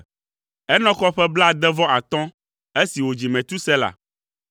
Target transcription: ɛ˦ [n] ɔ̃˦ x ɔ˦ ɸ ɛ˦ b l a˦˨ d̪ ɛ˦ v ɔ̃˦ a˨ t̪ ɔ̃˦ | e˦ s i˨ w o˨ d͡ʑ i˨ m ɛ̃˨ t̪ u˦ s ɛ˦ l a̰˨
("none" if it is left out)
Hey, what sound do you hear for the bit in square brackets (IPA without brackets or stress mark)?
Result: n